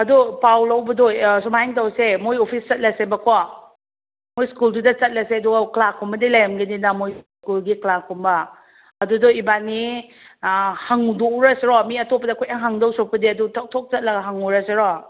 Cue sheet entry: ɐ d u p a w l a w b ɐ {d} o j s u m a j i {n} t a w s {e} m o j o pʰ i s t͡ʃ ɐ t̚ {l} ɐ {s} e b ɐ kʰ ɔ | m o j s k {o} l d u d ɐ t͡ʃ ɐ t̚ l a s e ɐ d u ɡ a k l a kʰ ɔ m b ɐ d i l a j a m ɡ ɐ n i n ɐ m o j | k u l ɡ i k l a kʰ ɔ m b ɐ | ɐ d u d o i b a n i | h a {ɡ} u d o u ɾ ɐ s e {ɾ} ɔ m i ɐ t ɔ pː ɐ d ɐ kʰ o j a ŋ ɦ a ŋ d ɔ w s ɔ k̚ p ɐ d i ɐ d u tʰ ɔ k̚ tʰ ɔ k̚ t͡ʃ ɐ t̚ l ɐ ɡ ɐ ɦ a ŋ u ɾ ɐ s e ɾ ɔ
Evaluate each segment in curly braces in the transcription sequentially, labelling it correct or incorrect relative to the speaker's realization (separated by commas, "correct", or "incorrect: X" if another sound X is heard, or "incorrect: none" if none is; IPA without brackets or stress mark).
correct, incorrect: ŋ, correct, correct, correct, incorrect: u, incorrect: ŋ, correct